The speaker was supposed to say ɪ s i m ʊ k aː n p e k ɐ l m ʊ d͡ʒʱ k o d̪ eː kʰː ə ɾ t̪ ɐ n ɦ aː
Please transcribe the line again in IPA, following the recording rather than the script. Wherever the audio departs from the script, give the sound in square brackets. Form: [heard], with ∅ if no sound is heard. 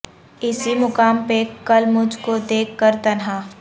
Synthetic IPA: ɪ s i m ʊ k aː [m] p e k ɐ l m ʊ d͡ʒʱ k o d̪ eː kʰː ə ɾ t̪ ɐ n ɦ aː